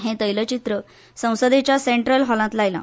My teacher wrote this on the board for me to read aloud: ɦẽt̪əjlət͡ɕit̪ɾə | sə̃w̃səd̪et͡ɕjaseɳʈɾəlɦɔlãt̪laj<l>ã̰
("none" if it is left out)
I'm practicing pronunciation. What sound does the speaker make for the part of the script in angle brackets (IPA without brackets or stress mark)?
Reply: l